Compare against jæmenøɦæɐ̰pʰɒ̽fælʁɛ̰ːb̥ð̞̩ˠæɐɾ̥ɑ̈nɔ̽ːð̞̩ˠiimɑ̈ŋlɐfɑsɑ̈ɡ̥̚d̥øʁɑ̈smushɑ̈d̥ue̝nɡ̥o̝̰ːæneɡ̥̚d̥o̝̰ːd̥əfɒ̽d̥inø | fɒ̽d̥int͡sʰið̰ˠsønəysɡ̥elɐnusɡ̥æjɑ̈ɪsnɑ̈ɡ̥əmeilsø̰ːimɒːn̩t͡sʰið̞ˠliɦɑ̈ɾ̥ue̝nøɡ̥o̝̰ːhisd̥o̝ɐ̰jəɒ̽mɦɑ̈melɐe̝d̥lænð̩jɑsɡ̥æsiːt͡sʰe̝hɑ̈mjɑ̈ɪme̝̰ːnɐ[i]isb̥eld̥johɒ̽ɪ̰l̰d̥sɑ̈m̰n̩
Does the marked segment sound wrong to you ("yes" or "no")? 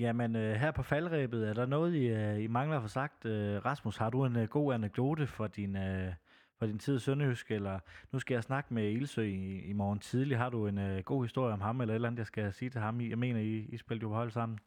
no